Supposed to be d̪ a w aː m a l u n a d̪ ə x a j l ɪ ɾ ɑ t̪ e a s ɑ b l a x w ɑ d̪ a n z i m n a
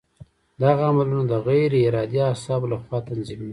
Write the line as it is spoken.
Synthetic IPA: d̪ a ɣ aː m a l u n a d̪ ə ɣ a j ɾ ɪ ɾ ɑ d̪ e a s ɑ b l a x w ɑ t̪ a n z i m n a